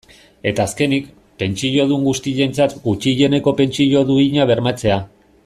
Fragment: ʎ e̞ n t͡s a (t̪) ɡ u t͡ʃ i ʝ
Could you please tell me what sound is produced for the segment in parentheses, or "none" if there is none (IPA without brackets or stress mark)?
t̪